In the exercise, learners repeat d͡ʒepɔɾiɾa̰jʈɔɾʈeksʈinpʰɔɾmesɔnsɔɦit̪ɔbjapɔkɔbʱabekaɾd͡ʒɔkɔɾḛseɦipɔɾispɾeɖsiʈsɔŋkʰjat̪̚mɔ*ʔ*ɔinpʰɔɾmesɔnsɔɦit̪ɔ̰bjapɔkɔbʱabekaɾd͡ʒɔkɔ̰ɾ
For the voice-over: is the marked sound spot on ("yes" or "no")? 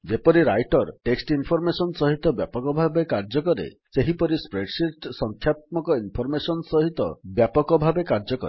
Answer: no